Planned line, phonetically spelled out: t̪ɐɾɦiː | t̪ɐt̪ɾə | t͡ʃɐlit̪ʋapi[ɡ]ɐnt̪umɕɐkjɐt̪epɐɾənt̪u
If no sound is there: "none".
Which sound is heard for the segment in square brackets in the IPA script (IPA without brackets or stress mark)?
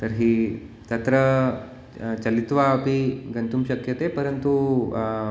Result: ɡ